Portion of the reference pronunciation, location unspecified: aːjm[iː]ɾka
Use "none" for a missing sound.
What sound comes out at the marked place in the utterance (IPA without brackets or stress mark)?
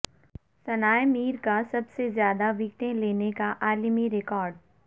iː